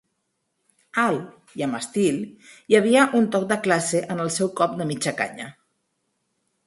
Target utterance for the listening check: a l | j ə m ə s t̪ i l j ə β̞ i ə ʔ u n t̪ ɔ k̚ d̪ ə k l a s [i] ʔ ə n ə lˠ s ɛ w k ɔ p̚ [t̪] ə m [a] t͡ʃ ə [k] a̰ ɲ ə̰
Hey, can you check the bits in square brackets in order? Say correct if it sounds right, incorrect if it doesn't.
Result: incorrect, incorrect, incorrect, correct

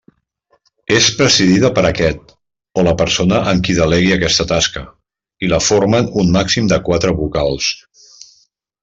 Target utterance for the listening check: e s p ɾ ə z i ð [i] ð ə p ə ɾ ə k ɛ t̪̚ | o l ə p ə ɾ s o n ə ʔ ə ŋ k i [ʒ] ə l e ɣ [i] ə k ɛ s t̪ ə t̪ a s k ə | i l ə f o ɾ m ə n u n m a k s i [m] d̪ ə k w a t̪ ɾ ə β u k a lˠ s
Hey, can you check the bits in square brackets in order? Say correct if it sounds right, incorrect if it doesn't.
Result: correct, incorrect, correct, correct

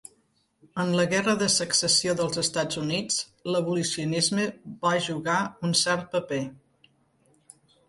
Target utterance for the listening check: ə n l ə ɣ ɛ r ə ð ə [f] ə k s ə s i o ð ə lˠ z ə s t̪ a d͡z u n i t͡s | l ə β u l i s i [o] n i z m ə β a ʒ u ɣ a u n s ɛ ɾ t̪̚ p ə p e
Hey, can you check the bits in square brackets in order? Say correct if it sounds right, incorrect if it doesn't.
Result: incorrect, incorrect

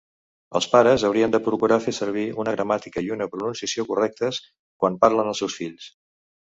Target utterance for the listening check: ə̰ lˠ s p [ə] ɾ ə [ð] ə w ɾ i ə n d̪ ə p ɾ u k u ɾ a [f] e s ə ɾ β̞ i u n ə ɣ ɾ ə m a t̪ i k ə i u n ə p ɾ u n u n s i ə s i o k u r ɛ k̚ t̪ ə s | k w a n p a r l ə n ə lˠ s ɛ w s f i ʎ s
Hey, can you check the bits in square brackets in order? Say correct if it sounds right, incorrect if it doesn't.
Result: incorrect, incorrect, correct

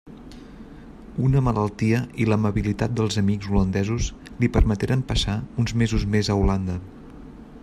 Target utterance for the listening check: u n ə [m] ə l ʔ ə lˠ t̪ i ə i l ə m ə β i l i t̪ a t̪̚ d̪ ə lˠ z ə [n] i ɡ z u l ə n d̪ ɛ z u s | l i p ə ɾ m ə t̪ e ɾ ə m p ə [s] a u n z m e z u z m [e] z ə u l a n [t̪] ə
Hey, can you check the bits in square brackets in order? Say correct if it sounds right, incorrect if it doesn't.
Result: correct, incorrect, correct, correct, incorrect

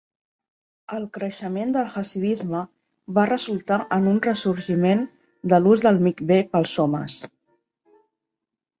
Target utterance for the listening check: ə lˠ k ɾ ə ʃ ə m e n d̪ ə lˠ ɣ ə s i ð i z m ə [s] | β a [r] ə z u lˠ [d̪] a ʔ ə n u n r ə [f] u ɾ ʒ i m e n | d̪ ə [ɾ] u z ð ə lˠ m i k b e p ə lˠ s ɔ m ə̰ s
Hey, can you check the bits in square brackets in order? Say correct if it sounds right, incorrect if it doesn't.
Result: incorrect, correct, incorrect, incorrect, incorrect

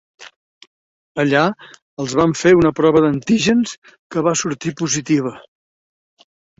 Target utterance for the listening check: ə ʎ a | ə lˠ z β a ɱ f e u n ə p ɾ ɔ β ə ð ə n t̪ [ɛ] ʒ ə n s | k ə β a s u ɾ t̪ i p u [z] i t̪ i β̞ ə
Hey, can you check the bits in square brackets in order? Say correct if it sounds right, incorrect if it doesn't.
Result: incorrect, correct

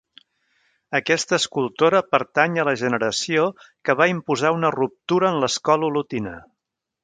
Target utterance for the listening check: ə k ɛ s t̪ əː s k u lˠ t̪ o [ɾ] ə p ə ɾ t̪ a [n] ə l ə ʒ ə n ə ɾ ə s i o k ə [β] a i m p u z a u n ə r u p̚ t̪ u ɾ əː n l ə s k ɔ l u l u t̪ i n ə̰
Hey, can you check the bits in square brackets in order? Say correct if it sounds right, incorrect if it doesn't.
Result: correct, incorrect, correct

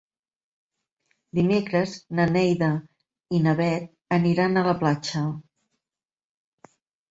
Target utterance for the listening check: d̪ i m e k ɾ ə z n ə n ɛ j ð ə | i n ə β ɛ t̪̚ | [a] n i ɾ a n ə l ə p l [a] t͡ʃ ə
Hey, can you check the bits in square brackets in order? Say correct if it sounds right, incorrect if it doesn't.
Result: incorrect, correct

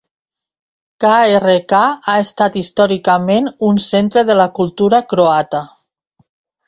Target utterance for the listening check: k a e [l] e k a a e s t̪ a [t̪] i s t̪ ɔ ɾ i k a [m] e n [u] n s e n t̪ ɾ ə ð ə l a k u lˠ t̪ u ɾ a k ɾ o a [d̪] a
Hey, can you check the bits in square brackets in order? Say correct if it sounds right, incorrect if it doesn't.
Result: incorrect, correct, correct, correct, incorrect

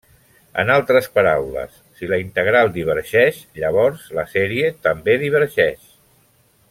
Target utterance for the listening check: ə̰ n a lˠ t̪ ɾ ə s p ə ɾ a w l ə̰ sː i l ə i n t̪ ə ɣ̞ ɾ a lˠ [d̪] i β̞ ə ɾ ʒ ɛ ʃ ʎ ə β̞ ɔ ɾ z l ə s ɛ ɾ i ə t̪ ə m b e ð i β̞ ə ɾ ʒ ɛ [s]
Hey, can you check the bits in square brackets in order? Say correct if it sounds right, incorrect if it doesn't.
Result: correct, incorrect

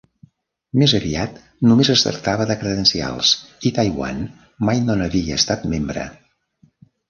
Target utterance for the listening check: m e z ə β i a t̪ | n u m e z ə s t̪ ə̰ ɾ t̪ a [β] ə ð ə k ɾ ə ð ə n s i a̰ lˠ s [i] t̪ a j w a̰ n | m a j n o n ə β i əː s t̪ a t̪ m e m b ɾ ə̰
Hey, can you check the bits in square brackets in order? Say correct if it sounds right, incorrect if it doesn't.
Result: correct, correct

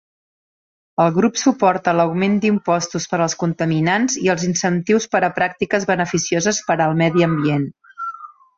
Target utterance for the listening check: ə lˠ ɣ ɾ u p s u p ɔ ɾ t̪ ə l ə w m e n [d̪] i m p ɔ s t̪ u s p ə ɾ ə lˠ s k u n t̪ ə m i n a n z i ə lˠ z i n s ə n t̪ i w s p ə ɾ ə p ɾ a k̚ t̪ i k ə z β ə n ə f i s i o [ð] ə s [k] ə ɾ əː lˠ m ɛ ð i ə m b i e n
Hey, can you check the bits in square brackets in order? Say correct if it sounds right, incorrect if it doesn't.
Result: correct, incorrect, incorrect

